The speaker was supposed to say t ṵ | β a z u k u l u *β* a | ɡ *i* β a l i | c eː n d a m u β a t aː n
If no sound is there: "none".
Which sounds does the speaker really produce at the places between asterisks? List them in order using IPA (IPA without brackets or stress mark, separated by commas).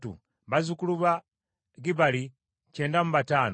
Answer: β, i